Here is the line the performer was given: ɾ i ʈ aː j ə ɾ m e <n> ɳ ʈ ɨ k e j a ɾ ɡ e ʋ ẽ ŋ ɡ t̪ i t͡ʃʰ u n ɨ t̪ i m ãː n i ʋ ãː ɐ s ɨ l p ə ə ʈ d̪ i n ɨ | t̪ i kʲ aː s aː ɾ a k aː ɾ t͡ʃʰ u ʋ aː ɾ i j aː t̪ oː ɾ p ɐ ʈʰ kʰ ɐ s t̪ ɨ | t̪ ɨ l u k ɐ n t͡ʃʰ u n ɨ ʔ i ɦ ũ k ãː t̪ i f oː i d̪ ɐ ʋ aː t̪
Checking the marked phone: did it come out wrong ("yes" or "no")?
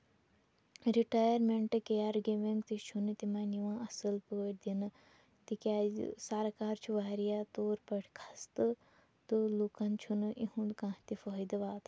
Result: yes